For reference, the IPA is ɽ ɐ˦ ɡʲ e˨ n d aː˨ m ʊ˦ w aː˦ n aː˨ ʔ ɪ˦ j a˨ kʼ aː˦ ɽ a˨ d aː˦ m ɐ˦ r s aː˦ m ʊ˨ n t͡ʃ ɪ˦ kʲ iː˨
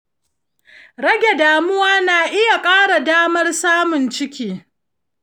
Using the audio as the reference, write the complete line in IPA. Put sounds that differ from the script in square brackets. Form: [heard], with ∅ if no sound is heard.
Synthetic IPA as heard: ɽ ɐ˦ ɡʲ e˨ [∅] d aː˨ m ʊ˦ w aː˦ n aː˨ ʔ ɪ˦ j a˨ kʼ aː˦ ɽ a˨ d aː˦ m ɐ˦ r s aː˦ m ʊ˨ n t͡ʃ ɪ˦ kʲ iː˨